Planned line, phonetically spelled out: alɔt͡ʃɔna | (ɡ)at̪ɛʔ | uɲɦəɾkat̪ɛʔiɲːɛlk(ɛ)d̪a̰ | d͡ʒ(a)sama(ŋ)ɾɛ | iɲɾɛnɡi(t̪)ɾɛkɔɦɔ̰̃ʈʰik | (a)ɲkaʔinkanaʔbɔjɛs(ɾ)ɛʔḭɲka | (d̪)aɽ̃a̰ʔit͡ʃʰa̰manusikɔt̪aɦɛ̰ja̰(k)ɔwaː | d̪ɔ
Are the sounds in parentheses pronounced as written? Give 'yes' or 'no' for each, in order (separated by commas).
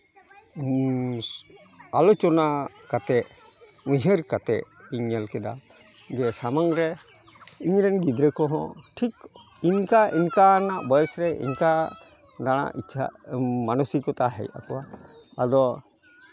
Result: no, yes, no, yes, no, no, yes, yes, yes